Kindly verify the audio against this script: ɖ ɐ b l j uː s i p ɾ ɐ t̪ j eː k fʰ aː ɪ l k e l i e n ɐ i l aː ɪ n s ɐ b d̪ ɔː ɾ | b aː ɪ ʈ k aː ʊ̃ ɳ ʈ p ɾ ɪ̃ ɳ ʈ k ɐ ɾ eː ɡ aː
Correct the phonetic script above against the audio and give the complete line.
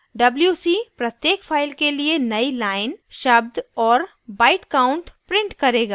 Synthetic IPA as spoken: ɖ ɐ b l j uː s i p ɾ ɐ t̪ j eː k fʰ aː ɪ l k e l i e n ɐ i l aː ɪ n ʃ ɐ b d̪ ɔː ɾ | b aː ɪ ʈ k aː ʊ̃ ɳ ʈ p ɾ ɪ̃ ɳ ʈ k ɐ ɾ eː ɡ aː